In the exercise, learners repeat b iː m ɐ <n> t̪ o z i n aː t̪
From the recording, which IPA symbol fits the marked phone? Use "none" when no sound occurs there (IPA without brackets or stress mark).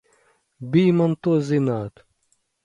n